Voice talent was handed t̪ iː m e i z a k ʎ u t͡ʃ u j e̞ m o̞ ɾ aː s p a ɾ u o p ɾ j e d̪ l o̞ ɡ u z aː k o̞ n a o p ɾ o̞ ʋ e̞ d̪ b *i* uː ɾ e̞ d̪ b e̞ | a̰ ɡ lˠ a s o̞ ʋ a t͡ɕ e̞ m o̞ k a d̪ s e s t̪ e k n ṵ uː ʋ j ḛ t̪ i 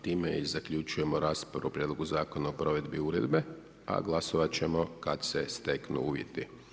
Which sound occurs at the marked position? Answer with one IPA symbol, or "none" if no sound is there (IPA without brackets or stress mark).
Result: i